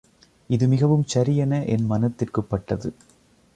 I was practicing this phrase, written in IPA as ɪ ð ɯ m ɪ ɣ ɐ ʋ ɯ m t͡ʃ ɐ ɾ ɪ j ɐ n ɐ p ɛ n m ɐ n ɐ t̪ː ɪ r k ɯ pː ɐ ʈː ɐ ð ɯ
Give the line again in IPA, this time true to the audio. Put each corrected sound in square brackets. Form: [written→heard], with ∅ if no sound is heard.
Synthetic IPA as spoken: ɪ ð ɯ m ɪ ɣ ɐ ʋ ɯ m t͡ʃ ɐ ɾ ɪ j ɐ n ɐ [p→ʔ] ɛ n m ɐ n ɐ t̪ː ɪ r k ɯ pː ɐ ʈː ɐ ð ɯ